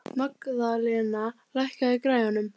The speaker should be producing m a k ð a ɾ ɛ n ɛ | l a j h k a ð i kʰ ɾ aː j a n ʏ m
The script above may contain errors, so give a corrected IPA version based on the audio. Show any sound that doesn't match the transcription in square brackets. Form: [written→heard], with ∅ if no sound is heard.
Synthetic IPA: m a k ð a [ɾ→l] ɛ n [ɛ→a] | l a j h k a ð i [kʰ→k] ɾ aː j a n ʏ m